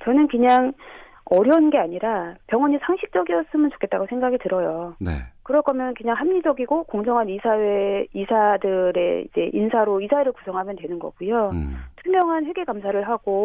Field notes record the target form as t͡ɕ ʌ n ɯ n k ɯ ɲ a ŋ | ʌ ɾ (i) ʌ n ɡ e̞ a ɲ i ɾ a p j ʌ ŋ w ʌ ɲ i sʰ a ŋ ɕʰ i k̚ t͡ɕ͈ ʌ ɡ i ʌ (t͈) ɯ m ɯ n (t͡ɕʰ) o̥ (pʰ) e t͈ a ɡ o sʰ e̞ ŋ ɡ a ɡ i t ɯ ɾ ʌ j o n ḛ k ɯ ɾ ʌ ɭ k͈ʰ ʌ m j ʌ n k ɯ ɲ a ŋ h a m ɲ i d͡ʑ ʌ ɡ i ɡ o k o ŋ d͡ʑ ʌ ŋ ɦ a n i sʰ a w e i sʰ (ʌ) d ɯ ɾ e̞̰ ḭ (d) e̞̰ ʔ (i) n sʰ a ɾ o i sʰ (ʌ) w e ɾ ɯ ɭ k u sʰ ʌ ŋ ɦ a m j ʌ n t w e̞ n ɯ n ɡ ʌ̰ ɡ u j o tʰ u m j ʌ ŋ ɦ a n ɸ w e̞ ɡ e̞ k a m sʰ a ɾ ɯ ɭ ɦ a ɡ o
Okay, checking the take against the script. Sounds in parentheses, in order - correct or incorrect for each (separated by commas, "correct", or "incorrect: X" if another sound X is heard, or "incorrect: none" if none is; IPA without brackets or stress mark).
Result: incorrect: j, incorrect: s͈, incorrect: t͡ɕ, incorrect: kʰ, incorrect: a, incorrect: d͡ʑ, correct, incorrect: a